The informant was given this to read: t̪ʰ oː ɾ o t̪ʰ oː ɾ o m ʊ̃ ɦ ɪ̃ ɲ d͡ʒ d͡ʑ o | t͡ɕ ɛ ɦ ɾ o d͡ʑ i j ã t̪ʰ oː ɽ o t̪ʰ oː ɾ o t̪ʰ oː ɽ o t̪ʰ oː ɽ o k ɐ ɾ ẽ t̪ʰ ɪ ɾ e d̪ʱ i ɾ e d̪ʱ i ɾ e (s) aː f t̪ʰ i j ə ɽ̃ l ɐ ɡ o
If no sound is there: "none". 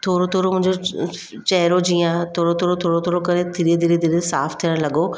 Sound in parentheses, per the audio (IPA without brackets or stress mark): s